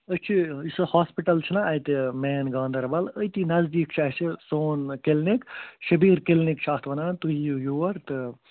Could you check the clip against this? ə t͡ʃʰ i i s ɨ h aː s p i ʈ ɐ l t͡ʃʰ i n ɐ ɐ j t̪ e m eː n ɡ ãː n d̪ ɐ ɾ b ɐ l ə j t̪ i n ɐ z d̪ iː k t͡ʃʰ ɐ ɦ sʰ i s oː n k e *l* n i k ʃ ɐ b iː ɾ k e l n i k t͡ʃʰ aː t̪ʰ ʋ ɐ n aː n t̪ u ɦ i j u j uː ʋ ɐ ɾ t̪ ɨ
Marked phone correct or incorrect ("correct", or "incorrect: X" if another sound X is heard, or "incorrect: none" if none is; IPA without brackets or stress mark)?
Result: correct